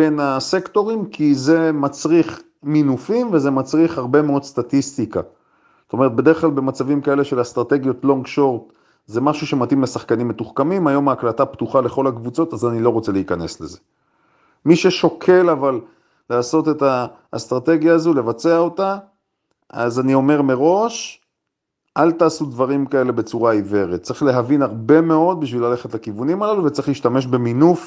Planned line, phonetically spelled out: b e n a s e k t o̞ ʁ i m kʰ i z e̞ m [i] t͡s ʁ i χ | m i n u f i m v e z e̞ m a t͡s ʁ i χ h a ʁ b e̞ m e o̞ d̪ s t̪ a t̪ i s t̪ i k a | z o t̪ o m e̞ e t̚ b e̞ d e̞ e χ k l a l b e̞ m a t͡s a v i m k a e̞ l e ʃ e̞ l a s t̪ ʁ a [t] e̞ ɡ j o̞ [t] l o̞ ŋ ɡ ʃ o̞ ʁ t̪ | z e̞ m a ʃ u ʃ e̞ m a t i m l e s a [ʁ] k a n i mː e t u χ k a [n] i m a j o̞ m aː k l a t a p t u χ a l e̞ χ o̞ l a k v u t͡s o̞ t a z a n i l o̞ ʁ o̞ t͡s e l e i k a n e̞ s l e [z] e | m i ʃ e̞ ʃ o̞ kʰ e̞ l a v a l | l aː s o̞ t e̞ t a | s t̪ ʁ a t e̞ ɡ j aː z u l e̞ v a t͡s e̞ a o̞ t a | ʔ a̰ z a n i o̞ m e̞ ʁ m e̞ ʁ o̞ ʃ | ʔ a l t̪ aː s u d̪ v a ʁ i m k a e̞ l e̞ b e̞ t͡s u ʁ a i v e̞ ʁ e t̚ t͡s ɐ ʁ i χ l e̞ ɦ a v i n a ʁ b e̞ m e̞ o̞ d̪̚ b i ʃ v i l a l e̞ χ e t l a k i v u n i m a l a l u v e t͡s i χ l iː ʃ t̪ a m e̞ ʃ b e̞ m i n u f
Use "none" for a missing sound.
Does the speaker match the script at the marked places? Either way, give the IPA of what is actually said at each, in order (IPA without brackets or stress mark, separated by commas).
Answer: a, t, t, χ, m, z